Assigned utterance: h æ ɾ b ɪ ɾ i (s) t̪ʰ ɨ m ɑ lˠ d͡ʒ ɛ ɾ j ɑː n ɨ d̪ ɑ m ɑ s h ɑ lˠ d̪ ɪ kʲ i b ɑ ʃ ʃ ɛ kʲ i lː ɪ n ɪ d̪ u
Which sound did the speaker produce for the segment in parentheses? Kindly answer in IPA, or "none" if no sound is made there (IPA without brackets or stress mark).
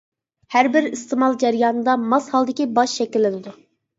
s